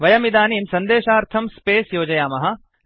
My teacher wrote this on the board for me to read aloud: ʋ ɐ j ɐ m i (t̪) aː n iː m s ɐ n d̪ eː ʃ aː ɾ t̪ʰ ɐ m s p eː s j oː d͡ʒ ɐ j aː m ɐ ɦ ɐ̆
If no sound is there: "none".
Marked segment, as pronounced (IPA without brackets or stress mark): d̪